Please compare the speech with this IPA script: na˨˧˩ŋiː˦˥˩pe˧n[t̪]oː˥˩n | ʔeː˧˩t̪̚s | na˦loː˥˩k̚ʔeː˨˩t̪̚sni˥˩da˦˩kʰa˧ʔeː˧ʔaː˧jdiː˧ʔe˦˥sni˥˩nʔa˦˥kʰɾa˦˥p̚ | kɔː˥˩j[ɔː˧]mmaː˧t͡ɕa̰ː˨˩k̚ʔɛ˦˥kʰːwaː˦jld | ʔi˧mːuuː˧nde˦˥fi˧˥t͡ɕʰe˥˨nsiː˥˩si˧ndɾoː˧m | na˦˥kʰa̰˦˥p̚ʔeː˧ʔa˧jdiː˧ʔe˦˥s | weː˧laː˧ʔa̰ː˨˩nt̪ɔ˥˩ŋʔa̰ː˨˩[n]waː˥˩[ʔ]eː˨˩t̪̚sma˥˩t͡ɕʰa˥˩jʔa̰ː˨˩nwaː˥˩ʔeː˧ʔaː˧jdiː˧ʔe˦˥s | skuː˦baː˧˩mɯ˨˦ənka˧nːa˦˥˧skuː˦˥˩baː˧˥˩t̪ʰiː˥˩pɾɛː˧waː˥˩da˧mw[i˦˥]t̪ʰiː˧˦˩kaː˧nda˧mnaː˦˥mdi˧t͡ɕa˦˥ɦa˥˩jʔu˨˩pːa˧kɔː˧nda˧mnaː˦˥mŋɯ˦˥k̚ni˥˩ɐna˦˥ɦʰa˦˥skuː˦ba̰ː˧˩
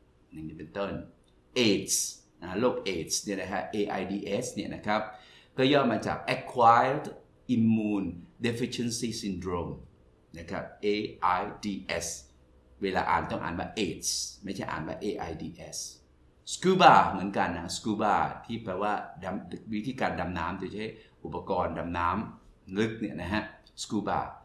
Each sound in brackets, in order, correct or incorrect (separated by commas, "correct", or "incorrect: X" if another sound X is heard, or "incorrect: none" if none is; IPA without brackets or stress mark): correct, incorrect: ɔː˥˩, correct, correct, correct